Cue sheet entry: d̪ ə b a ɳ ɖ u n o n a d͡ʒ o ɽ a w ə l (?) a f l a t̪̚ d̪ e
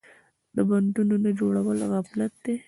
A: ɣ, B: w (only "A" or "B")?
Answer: A